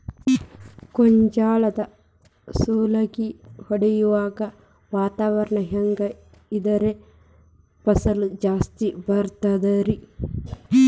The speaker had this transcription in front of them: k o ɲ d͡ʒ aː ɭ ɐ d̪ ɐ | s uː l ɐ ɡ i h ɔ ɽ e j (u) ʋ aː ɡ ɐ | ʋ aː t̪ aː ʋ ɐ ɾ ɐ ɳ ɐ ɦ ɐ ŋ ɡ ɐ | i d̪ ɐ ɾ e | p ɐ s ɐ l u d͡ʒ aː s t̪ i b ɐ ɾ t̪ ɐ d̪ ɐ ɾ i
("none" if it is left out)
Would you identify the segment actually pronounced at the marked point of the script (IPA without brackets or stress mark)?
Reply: u